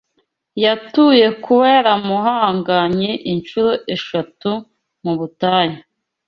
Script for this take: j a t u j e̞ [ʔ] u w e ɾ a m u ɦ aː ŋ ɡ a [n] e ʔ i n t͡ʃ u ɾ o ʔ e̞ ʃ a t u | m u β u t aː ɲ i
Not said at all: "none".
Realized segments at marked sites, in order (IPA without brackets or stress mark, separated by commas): k, ɲ